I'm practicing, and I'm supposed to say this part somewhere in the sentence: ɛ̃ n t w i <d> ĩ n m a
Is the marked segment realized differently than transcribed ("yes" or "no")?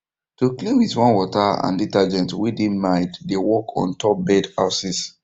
no